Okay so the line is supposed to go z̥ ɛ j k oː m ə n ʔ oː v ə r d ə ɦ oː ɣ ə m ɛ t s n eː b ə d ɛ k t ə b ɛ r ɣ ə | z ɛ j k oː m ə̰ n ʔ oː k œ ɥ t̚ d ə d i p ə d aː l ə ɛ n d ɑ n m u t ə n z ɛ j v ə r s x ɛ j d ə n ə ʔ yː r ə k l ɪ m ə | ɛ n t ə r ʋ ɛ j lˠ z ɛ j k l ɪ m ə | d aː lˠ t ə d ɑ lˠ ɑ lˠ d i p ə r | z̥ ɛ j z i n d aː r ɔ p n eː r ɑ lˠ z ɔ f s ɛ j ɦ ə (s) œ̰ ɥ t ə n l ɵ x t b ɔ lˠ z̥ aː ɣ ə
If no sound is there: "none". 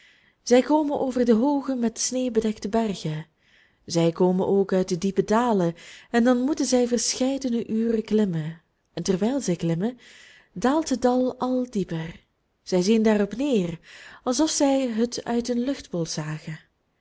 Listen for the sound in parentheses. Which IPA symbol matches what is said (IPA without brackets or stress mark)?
t